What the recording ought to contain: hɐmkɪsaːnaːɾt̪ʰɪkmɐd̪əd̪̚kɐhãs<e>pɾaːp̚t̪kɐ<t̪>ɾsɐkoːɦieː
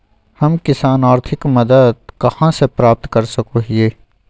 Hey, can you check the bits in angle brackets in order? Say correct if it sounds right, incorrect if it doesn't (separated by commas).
correct, incorrect